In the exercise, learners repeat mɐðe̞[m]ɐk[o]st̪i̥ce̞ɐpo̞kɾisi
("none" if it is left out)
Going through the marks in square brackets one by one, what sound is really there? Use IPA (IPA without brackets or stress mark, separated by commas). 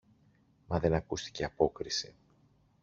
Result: n, u